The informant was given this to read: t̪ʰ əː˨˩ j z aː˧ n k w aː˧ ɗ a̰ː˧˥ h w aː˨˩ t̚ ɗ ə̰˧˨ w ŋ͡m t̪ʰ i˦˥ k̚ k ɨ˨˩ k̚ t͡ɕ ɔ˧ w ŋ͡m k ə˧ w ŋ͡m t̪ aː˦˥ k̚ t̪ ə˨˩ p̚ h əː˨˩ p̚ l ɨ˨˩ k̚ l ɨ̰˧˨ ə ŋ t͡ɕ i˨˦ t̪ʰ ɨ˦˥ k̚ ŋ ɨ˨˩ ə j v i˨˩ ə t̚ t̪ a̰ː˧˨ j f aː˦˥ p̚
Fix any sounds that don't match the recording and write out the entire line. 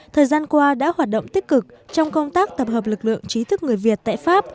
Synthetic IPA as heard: t̪ʰ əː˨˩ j z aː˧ n k w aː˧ ɗ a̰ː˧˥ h w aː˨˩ t̚ ɗ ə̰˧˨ w ŋ͡m t̪ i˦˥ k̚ k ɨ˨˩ k̚ t͡ɕ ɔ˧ w ŋ͡m k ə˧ w ŋ͡m t̪ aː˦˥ k̚ t̪ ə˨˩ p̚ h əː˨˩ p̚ l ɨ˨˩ k̚ l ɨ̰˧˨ ə ŋ t͡ɕ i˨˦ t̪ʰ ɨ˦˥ k̚ ŋ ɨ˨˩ ə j v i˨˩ ə t̚ t̪ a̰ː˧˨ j f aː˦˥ p̚